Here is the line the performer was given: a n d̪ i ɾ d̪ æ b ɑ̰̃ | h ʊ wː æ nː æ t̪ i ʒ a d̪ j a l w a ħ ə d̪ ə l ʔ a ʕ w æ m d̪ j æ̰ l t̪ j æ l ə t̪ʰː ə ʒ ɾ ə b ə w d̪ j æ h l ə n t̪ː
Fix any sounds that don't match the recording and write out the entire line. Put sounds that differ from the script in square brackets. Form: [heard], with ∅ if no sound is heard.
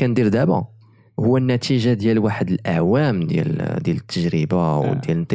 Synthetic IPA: [æ] n d̪ i ɾ d̪ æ b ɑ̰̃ | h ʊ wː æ nː æ t̪ i ʒ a d̪ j [æ] l w a ħ ə d̪ ə l ʔ a ʕ w æ m d̪ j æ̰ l [d̪] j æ l ə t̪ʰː ə ʒ ɾ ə b [a] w d̪ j æ [∅] l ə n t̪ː